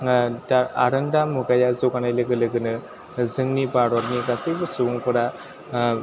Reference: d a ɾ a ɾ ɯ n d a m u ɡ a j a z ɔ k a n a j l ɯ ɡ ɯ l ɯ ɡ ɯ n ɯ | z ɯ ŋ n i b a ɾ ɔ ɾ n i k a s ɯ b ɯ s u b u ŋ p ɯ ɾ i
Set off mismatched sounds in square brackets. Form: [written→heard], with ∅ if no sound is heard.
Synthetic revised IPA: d a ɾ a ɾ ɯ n d a m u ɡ a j a z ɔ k a n a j l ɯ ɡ ɯ l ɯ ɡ ɯ n ɯ | z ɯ ŋ n i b a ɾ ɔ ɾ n i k a s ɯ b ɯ s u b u ŋ p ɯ ɾ [i→a]